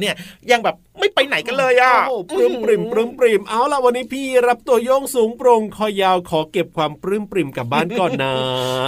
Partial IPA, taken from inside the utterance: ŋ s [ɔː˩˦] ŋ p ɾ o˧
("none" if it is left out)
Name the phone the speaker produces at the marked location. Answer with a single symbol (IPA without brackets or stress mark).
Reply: uː˩˦